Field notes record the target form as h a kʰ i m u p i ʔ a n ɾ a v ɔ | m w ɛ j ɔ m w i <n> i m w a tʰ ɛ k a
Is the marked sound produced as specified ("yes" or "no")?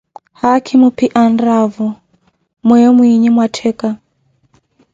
no